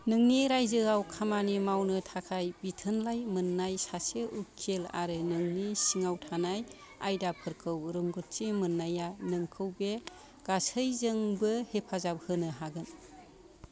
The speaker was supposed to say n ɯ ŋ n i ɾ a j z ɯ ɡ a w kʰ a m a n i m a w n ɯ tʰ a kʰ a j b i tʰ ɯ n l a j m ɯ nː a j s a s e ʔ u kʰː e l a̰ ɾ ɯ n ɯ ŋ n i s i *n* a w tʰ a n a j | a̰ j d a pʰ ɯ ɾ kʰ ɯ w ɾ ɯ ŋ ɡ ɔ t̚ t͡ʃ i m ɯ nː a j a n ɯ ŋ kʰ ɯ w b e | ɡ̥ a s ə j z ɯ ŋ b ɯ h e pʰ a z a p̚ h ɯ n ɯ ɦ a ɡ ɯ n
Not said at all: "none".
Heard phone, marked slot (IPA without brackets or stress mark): ŋ